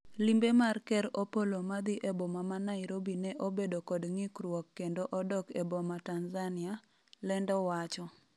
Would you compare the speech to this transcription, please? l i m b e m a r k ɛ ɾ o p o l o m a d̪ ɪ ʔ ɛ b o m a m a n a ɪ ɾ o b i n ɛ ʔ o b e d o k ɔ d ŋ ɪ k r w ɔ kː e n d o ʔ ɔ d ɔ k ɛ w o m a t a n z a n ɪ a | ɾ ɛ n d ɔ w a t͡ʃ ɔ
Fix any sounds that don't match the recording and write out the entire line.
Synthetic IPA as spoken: l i m b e m a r k ɛ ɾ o p o l o m a d̪ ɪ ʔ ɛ b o m a m a n a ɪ ɾ o b i n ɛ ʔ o b e d o k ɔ d ŋ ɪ k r w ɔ kː e n d o ʔ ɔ d ɔ k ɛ b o m a t a n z a n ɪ a | l ɛ n d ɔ w a t͡ʃ ɔ